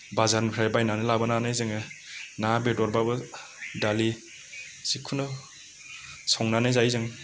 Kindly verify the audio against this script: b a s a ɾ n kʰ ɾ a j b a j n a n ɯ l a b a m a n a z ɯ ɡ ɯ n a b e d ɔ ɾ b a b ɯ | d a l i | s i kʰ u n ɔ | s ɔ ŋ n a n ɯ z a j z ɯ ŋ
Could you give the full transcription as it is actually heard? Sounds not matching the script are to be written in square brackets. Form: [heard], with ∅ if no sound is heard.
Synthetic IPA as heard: b a [z] a ɾ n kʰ ɾ a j b a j n a n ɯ l a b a [n] a n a z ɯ [ŋ] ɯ n a b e d ɔ ɾ b a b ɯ | d a l i | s i kʰ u n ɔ | s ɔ ŋ n a n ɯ z a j z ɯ ŋ